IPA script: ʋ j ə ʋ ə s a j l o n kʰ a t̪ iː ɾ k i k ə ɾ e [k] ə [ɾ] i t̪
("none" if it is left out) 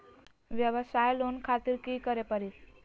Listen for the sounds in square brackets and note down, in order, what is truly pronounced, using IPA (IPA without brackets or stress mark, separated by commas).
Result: p, ɾ